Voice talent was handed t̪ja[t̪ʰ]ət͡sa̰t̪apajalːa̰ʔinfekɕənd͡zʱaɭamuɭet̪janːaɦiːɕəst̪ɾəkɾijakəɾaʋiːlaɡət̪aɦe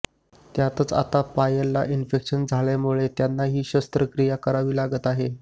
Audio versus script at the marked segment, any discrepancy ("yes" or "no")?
yes